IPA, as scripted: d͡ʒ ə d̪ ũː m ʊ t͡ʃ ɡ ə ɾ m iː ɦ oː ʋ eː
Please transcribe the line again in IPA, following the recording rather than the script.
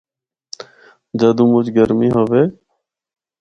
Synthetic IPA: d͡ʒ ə d̪ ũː m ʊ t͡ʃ ɡ ə ɾ m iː ɦ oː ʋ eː

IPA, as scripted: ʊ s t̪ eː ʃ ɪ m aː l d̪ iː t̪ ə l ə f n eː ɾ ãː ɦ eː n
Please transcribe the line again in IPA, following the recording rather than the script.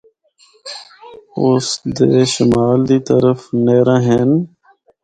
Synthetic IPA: ʊ s d̪ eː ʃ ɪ m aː l d̪ iː t̪ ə ɾ ə f n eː ɾ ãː ɦ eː n

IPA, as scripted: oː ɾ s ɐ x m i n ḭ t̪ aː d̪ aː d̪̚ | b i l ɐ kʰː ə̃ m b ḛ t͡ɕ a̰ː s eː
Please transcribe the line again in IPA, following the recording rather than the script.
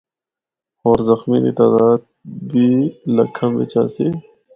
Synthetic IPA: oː ɾ z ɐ x m i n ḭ t̪ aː d̪ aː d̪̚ | b i l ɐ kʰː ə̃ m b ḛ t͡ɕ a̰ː s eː

